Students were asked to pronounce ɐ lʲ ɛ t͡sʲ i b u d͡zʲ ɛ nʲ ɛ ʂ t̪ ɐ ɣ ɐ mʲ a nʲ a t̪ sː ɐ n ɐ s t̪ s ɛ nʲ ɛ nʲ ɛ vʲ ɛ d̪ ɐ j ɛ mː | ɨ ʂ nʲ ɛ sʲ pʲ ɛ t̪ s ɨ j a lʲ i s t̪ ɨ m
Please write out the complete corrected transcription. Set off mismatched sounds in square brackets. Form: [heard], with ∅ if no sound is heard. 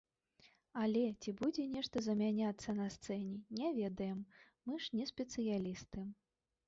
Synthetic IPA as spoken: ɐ lʲ ɛ t͡sʲ i b u d͡zʲ ɛ nʲ ɛ ʂ t̪ ɐ [z] ɐ mʲ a nʲ a t̪ sː ɐ n ɐ s t̪ s ɛ nʲ ɛ nʲ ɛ vʲ ɛ d̪ ɐ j ɛ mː | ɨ ʂ nʲ ɛ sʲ pʲ ɛ t̪ s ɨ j a lʲ i s t̪ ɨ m